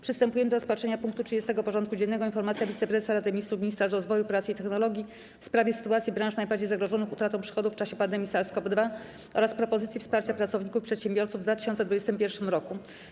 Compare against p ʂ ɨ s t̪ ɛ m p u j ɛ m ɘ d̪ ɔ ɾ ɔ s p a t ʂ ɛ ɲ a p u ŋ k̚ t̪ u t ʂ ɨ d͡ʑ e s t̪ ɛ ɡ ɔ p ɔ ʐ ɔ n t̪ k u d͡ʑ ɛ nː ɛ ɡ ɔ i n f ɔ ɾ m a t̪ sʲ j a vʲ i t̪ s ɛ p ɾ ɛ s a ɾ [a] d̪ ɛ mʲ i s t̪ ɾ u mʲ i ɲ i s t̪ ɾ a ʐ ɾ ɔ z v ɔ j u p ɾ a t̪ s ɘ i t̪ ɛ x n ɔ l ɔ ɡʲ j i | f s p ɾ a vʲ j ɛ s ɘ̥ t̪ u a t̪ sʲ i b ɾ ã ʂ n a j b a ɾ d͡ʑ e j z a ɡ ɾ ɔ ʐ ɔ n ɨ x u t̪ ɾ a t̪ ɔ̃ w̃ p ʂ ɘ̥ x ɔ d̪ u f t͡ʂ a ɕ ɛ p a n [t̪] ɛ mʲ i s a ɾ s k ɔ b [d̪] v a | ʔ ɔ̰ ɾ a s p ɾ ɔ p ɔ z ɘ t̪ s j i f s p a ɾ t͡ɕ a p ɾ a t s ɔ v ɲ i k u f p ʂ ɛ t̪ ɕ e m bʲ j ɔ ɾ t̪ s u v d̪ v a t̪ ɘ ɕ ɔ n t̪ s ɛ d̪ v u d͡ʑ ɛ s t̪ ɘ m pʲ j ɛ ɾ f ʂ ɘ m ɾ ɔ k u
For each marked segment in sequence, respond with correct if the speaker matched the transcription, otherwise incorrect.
correct, incorrect: d̪, correct

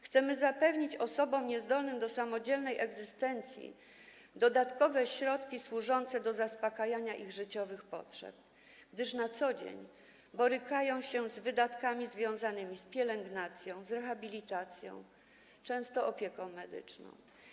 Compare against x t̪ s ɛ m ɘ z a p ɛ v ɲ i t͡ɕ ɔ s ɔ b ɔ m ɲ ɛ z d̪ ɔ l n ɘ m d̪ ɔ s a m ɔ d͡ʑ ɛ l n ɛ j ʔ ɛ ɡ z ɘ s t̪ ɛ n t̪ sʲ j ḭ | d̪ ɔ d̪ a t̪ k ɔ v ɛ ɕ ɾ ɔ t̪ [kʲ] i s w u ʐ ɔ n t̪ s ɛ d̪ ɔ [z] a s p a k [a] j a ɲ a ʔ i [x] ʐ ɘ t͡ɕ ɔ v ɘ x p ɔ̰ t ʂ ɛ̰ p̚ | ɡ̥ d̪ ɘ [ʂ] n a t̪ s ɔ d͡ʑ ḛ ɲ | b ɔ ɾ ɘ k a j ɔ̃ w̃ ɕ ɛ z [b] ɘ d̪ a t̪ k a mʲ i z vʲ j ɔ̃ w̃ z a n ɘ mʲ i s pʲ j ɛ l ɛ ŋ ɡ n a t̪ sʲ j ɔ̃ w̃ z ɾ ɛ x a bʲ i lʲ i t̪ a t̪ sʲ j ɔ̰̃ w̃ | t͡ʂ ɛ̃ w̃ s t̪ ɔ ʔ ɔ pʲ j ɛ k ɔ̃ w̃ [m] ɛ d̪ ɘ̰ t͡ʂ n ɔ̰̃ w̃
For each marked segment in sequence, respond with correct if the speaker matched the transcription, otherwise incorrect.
correct, correct, correct, incorrect: ɣ, correct, incorrect: v, correct

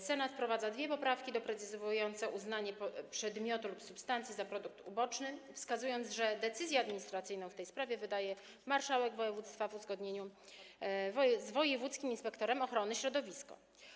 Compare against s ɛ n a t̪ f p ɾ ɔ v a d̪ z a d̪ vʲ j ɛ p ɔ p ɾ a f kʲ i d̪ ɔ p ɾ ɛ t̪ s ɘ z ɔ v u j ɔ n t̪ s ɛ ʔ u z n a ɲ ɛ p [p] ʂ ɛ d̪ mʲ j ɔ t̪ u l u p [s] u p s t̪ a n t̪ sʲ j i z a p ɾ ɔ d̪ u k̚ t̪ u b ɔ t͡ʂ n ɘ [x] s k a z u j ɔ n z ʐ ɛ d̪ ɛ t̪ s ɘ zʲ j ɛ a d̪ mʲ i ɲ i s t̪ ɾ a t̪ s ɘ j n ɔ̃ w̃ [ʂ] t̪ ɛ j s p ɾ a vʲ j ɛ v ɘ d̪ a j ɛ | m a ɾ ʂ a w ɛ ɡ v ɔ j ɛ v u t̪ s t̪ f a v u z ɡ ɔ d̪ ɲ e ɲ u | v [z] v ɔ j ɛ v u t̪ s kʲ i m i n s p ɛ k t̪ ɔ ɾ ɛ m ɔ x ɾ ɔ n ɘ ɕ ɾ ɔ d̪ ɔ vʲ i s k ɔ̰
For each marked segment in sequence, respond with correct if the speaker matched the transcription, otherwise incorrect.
correct, correct, incorrect: f, incorrect: f, correct

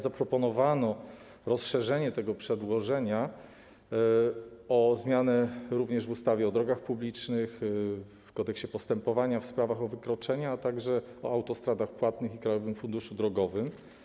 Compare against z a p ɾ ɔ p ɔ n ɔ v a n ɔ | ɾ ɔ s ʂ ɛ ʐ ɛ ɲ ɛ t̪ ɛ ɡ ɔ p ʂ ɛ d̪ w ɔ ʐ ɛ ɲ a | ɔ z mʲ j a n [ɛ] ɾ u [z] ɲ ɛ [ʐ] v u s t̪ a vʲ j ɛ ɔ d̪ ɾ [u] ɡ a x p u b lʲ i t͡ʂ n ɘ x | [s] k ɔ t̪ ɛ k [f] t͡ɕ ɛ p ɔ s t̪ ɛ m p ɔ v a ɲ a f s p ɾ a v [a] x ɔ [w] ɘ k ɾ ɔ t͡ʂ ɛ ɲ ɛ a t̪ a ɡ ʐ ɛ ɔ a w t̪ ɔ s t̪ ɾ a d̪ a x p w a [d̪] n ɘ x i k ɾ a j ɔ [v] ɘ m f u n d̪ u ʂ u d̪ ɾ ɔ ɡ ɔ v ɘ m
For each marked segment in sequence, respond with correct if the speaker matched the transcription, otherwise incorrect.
correct, incorrect: v, correct, incorrect: ɔ, incorrect: f, incorrect: ɕ, correct, incorrect: v, incorrect: t̪, correct

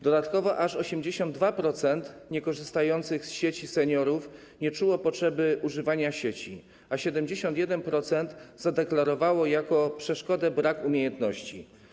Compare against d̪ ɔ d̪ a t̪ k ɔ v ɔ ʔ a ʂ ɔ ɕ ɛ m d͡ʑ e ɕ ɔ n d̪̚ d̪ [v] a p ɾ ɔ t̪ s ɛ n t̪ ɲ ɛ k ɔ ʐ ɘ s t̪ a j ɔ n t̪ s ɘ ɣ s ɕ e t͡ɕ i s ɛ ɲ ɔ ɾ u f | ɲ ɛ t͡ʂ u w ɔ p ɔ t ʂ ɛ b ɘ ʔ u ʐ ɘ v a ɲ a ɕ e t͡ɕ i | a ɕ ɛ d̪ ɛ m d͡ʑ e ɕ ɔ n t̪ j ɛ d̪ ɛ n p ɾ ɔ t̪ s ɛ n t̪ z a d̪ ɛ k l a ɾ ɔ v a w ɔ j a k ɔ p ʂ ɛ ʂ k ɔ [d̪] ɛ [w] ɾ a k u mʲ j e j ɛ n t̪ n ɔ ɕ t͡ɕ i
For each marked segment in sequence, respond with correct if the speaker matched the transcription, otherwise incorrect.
correct, correct, incorrect: b

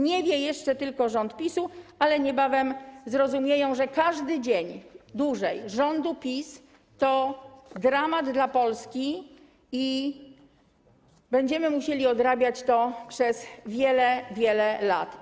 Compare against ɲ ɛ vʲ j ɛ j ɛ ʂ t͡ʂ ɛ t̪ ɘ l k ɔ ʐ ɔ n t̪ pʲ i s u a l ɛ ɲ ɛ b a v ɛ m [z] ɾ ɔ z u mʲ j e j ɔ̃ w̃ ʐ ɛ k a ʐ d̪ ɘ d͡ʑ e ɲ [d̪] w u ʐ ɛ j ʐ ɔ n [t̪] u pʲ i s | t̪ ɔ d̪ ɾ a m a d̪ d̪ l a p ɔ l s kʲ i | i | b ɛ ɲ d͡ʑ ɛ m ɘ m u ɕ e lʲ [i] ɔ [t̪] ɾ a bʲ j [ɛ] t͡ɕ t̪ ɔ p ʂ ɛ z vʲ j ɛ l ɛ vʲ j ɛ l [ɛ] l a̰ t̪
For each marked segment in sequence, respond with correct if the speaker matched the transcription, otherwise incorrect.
correct, correct, incorrect: d̪, correct, incorrect: d̪, incorrect: a, correct

